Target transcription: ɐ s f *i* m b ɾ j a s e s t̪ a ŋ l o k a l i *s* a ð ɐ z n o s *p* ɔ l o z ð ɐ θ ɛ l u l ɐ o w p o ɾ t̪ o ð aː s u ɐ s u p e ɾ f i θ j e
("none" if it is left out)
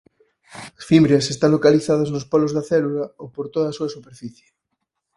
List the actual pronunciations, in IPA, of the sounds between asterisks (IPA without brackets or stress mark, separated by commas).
i, θ, p